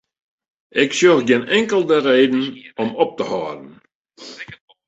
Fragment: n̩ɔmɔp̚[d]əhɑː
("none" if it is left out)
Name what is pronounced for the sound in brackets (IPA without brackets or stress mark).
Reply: t